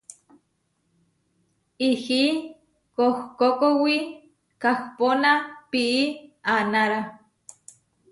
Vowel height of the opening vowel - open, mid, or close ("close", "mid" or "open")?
close